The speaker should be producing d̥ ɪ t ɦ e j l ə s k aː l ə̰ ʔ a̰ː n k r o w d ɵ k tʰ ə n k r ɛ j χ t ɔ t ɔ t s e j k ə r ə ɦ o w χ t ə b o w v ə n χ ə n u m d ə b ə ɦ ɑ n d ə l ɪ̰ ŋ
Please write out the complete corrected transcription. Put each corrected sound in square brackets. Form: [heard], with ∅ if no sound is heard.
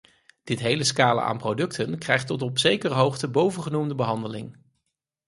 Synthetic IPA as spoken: d̥ ɪ t ɦ e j l ə s k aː l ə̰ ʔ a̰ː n [p] r o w d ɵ k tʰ ə n k r ɛ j χ t ɔ t ɔ [p] s e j k ə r ə ɦ o w χ t ə b o w v ə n χ ə n u m d ə b ə ɦ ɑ n d ə l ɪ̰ ŋ